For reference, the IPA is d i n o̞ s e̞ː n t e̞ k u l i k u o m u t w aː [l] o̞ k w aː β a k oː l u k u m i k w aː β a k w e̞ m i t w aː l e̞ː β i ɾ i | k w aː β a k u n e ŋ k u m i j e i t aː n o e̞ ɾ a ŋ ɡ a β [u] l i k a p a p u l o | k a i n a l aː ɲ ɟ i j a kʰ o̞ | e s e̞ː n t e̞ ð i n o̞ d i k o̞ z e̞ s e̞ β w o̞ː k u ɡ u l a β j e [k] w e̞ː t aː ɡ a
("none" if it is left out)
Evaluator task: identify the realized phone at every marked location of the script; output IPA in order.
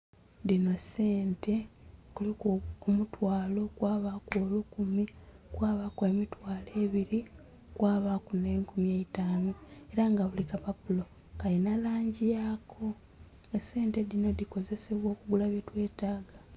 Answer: l, u, t

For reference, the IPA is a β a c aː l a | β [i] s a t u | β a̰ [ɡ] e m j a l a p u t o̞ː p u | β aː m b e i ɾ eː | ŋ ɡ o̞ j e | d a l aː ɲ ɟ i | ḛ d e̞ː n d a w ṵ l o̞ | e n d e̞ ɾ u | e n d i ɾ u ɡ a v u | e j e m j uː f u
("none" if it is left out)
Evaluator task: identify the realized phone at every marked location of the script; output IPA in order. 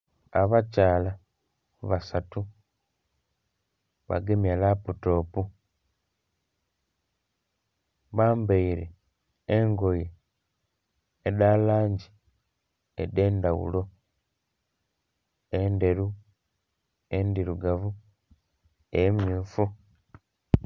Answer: a, ɡ

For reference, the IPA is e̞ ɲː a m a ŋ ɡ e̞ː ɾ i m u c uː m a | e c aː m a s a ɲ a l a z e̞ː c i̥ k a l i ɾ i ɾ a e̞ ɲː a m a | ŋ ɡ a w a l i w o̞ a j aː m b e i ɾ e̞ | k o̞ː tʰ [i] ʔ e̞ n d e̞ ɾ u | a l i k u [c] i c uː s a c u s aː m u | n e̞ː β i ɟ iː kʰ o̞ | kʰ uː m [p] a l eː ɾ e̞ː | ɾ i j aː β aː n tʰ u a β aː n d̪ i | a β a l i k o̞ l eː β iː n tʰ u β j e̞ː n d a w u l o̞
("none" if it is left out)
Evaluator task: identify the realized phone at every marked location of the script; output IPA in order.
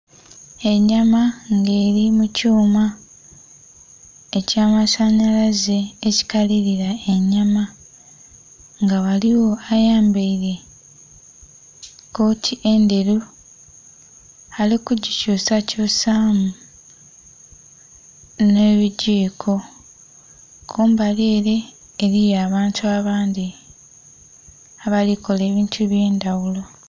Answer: i, ɟ, b

